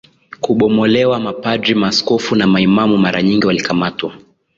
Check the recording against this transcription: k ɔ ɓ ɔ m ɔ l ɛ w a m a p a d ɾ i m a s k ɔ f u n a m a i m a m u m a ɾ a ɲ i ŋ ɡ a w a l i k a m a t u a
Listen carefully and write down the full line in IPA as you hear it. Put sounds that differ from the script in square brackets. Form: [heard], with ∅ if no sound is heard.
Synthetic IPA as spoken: k [u] ɓ ɔ m ɔ l ɛ w a m a p a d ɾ i m a s k ɔ f u n a m a i m a m u m a ɾ a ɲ i ŋ ɡ [i] w a l i k a m a t [w] a